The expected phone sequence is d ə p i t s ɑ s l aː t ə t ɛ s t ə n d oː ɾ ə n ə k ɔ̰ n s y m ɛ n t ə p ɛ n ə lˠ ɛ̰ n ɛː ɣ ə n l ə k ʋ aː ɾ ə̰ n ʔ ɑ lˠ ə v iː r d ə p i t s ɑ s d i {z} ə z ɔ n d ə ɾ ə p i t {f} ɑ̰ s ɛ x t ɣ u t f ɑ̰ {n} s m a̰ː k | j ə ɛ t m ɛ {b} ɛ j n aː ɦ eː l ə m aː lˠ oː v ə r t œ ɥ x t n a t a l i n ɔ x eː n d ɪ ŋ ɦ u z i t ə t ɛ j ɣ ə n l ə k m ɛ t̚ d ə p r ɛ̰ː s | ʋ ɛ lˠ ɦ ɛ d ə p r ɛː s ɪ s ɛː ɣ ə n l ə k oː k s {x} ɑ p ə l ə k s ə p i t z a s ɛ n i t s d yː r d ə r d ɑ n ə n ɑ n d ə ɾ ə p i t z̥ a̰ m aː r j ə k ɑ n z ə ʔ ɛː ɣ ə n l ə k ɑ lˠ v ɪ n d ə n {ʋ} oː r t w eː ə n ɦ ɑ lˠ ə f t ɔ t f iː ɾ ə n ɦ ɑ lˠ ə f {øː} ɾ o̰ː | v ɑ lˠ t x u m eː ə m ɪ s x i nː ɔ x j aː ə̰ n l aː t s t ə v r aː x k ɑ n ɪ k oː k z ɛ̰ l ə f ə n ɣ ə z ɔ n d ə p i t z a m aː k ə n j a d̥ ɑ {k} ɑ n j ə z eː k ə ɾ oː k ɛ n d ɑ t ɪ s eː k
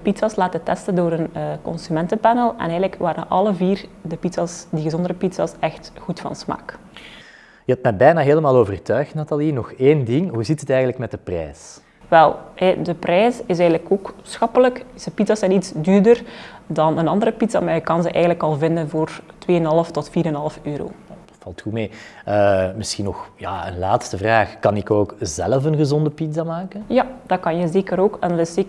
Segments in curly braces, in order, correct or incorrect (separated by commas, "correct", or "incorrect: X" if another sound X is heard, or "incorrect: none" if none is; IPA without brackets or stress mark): incorrect: ɣ, incorrect: s, correct, correct, correct, incorrect: v, correct, correct